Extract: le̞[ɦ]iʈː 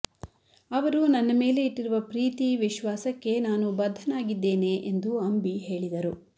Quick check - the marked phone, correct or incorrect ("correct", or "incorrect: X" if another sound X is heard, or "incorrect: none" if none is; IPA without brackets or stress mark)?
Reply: incorrect: none